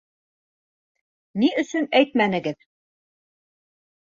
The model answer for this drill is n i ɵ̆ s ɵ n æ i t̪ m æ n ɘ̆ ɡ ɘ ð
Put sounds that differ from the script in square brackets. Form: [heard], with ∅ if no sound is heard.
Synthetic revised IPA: n i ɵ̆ s ɵ n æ [j] t̪ m æ n ɘ̆ ɡ ɘ ð